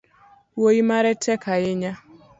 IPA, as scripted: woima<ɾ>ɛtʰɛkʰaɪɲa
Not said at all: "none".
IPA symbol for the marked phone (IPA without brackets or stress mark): ɾ